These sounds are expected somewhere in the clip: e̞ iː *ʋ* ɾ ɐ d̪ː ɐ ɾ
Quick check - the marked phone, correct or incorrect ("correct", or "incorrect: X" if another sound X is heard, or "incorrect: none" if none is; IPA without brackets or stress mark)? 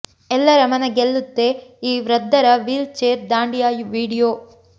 correct